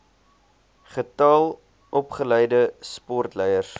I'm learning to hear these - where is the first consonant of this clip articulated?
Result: uvula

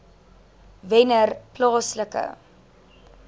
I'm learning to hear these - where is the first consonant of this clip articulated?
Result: lips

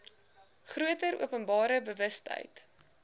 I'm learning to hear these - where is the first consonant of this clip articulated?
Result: uvula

